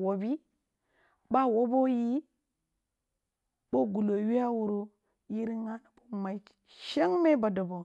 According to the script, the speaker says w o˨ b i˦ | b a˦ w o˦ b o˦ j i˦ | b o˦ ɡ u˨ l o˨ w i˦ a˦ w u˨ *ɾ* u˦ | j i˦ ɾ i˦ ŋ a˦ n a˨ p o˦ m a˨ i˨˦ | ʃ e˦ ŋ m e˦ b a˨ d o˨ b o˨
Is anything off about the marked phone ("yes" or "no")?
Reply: no